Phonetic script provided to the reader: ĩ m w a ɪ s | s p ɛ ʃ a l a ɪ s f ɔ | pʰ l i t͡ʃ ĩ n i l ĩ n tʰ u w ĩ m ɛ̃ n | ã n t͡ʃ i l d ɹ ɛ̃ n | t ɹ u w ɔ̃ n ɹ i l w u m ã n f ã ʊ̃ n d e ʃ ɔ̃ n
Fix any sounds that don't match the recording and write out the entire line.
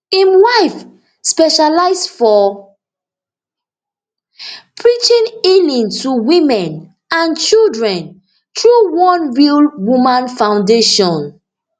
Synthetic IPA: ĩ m w a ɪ f | s p ɛ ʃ a l a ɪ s f ɔ | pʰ ɹ i t͡ʃ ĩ n i l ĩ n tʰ u w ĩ m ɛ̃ n | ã n t͡ʃ i l d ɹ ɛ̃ n | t ɹ u w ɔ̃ n ɹ i l w u m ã n f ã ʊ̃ n d e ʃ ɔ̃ n